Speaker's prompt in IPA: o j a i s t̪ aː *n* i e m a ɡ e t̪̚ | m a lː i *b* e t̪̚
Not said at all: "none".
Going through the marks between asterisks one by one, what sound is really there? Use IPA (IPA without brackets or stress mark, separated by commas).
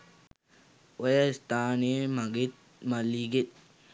n, ɡ